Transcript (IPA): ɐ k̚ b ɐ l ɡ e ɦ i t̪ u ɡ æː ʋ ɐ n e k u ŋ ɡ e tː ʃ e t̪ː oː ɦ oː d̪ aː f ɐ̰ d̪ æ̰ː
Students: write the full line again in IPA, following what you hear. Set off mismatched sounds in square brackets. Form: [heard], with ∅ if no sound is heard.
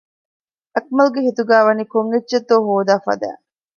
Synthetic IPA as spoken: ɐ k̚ [m] ɐ l ɡ e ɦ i t̪ u ɡ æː ʋ ɐ n [i] k [o] ŋ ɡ e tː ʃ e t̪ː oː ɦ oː d̪ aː f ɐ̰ d̪ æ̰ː